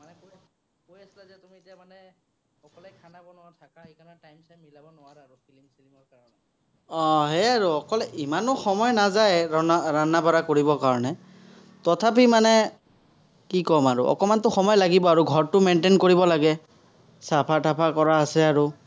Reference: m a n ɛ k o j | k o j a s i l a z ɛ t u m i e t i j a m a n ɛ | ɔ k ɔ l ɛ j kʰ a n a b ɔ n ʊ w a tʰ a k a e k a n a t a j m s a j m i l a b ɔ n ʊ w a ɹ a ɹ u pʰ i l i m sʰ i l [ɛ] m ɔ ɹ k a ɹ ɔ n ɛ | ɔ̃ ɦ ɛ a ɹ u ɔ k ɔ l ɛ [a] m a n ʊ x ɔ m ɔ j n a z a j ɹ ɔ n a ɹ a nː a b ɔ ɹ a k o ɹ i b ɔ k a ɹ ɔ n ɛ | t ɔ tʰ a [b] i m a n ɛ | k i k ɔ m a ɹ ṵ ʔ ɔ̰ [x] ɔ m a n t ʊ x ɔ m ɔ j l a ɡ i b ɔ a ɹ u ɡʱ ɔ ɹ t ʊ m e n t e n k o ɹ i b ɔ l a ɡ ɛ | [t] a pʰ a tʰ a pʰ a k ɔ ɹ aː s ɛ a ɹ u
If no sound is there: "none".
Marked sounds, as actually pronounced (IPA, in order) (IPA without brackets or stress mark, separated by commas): i, i, p, k, s